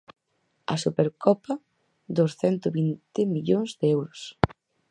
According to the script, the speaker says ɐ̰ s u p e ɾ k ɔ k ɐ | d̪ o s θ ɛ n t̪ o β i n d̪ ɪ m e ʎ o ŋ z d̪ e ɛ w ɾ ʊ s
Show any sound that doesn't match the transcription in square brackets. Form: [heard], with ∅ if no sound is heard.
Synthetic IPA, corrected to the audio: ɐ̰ s u p e ɾ k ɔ [p] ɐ | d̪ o s θ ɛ n t̪ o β i n [t̪] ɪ m [i] ʎ o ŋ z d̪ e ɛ w ɾ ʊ s